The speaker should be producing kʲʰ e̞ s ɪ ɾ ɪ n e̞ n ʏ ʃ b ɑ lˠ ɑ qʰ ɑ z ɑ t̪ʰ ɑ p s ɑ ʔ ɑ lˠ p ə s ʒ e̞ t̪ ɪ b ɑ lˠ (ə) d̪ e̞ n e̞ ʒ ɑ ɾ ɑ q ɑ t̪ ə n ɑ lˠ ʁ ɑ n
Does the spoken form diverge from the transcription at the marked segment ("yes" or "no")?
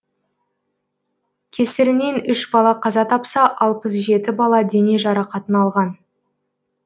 yes